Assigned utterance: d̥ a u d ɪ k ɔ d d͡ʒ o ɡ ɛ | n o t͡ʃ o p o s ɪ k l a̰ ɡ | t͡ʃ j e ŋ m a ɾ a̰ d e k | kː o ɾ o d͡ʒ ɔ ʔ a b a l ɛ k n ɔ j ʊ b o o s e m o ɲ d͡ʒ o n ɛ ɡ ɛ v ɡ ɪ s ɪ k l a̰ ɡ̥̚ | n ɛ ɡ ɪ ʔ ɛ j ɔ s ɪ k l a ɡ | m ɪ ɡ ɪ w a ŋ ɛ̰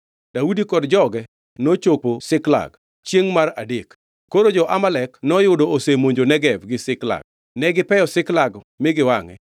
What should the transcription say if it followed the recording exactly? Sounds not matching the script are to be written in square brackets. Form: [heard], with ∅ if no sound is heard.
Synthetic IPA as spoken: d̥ a u d [i] k ɔ d d͡ʒ [ɔ] ɡ ɛ | n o t͡ʃ o p o s ɪ k l a̰ ɡ | t͡ʃ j e ŋ m a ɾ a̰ d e k | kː o ɾ o d͡ʒ ɔ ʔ a [m] a l ɛ k n ɔ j ʊ [d] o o s e m o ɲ d͡ʒ o n ɛ ɡ ɛ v ɡ ɪ s ɪ k l a̰ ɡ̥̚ | n ɛ ɡ ɪ [p] ɛ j ɔ s ɪ k l a ɡ | m ɪ ɡ ɪ w a ŋ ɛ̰